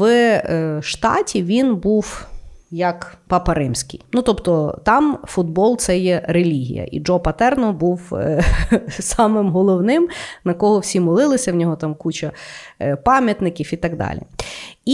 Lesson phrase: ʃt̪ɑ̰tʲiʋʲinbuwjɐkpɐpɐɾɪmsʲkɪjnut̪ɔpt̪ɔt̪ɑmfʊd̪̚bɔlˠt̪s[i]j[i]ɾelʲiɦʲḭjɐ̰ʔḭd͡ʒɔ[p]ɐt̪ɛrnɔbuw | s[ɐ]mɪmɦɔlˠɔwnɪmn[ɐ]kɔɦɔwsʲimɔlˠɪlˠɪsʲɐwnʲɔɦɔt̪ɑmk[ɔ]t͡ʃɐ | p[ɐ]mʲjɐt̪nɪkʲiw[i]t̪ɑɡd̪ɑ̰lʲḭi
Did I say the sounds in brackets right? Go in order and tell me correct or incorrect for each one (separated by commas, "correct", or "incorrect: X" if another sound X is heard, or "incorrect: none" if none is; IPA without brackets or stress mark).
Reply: incorrect: ɛ, incorrect: ɛ, correct, incorrect: ɑ, correct, incorrect: u, incorrect: ɑ, correct